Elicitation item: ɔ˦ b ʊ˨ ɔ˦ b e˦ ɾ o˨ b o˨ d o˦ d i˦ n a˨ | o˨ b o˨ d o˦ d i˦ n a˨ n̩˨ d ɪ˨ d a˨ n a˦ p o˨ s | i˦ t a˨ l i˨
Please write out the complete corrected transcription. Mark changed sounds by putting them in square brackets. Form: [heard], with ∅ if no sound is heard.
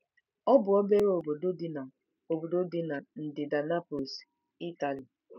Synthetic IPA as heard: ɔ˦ b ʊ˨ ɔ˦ b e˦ ɾ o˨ b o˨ d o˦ d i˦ n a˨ | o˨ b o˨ d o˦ d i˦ n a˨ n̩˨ d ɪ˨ d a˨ n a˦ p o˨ s | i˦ t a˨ l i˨

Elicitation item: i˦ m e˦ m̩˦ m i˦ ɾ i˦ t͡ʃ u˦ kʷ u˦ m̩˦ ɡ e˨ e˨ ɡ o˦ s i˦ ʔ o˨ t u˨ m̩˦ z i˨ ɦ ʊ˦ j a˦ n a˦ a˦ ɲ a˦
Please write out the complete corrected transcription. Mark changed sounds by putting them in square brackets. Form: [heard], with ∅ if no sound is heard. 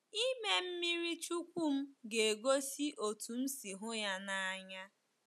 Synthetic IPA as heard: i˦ m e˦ m̩˦ m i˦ ɾ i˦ t͡ʃ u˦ kʷ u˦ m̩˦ ɡ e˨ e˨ ɡ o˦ s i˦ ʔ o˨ t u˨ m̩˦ [s] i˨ ɦ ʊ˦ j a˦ n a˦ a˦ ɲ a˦

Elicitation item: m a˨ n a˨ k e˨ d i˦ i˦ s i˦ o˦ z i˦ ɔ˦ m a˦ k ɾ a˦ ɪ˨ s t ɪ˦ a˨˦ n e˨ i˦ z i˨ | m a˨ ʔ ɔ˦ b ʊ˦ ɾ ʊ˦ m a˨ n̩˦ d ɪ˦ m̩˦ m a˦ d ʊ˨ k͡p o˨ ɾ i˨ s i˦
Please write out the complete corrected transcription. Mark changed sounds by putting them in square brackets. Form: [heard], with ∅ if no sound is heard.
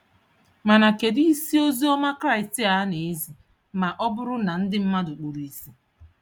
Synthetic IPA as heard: m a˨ n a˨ k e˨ d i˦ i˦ s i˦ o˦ z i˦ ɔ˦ m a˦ k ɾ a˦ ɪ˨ s t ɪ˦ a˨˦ n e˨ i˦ z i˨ | m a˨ ʔ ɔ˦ b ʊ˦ ɾ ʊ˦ [n] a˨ n̩˦ d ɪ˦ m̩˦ m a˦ d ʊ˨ k͡p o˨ ɾ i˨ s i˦

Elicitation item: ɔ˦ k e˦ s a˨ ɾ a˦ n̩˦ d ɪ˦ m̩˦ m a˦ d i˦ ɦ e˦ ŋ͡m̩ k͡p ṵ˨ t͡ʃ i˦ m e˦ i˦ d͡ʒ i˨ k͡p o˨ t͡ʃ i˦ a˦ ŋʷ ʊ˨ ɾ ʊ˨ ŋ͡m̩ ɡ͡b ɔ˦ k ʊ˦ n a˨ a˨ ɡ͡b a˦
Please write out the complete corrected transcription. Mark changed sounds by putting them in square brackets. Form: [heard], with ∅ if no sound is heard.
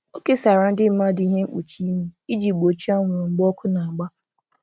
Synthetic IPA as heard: [o˦] k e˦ s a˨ ɾ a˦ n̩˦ d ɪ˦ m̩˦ m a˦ d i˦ ɦ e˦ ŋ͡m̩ k͡p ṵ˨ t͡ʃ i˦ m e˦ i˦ d͡ʒ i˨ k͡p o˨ t͡ʃ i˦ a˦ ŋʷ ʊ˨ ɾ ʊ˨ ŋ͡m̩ ɡ͡b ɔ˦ k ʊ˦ n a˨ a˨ ɡ͡b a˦

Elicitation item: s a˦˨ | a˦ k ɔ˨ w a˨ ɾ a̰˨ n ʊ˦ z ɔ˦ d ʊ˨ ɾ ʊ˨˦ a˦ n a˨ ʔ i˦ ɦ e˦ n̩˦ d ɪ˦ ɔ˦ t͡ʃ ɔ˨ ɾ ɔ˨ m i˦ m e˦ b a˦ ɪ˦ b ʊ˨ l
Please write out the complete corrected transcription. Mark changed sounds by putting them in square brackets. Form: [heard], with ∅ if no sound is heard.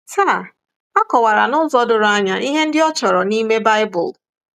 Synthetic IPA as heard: s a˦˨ | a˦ k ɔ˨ w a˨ ɾ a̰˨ n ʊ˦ z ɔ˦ d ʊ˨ ɾ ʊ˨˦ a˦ [ɲ] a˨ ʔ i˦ ɦ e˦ n̩˦ d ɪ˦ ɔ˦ t͡ʃ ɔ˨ ɾ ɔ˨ [n] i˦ m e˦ b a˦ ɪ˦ b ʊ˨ l

